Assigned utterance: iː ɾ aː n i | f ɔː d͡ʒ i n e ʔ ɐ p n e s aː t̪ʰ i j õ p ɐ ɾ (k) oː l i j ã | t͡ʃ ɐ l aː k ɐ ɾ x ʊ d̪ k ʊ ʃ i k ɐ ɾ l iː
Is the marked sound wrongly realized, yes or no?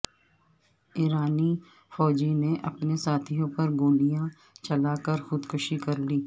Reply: yes